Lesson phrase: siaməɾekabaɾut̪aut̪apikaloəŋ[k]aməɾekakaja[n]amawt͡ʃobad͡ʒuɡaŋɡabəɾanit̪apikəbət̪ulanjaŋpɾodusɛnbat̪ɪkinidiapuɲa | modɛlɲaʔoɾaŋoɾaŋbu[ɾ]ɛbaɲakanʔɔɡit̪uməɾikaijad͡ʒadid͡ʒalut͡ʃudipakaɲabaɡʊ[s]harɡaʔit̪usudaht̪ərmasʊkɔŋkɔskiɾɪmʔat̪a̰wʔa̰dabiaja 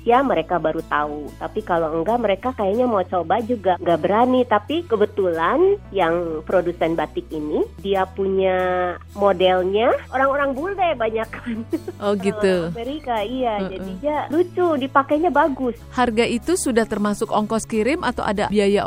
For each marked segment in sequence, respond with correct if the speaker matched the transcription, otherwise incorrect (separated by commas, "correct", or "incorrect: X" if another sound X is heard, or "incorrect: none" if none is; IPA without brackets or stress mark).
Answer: incorrect: ɡ, incorrect: ɲ, incorrect: l, correct